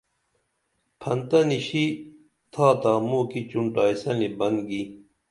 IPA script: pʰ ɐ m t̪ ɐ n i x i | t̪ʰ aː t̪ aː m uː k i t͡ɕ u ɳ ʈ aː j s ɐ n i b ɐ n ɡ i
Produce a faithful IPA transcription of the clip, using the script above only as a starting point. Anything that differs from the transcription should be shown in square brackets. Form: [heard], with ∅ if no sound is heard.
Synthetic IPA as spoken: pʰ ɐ [n] t̪ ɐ n i [ɕ] i | t̪ʰ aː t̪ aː m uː k i t͡ɕ u ɳ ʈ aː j s ɐ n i b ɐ n ɡ i